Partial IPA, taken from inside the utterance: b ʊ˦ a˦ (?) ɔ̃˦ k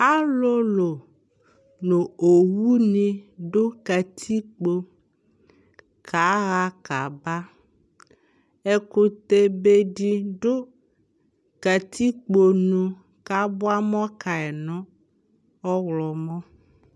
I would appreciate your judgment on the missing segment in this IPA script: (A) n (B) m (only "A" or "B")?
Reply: B